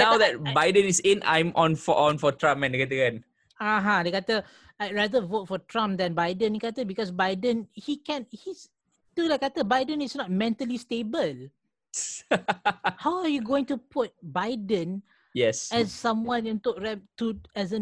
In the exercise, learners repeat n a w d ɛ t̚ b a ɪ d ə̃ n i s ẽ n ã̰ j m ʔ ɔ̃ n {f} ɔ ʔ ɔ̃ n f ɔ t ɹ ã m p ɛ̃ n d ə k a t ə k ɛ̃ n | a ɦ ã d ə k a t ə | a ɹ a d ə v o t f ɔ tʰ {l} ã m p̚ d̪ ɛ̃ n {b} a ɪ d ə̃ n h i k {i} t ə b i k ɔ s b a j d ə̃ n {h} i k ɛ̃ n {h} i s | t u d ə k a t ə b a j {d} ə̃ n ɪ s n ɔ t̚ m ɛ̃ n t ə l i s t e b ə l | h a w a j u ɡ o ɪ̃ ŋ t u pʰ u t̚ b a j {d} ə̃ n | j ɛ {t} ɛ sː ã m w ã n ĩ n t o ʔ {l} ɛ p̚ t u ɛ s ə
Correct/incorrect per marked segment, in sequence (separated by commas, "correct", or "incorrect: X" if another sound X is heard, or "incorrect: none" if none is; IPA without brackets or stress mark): correct, incorrect: ɹ, correct, incorrect: a, correct, correct, correct, correct, incorrect: s, incorrect: ɹ